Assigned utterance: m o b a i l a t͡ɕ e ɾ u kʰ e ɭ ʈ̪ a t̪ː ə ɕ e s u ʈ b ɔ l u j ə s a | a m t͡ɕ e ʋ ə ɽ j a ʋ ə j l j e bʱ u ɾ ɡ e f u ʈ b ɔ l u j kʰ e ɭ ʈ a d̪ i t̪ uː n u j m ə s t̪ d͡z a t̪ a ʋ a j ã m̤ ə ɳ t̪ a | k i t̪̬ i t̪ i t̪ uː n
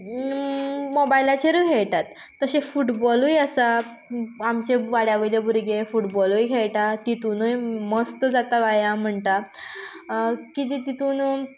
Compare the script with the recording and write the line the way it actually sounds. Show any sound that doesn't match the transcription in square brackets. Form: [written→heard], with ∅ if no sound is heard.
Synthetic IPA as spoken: m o b a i l a t͡ɕ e ɾ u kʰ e ɭ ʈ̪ a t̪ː ə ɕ e [s→f] u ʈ b ɔ l u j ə s a | a m t͡ɕ e ʋ [ə→a] ɽ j a ʋ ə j l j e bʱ u ɾ ɡ e f u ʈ b ɔ l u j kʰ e ɭ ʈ a [d̪→t̪] i t̪ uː n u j m ə s t̪ d͡z a t̪ a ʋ a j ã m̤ ə ɳ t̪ a | k i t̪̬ i t̪ i t̪ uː n